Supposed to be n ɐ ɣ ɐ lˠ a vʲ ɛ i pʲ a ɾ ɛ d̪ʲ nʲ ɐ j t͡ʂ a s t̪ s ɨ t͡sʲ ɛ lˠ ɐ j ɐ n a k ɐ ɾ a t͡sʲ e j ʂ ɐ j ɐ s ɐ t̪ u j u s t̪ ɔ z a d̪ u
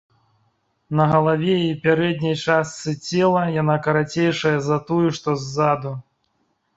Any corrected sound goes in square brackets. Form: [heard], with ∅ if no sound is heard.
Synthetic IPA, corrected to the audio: n ɐ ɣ ɐ lˠ a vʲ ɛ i pʲ a ɾ ɛ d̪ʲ nʲ ɐ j t͡ʂ a s t̪ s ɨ t͡sʲ ɛ lˠ ɐ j [a] n a k ɐ ɾ a t͡sʲ e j ʂ ɐ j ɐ [z] ɐ t̪ u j u [ʂ] t̪ ɔ [zː] a d̪ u